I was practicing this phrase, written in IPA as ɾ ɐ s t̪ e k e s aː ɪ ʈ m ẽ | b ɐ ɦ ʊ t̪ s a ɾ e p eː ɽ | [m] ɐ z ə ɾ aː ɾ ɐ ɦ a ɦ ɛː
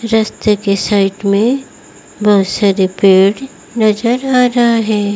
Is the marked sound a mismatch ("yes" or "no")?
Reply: yes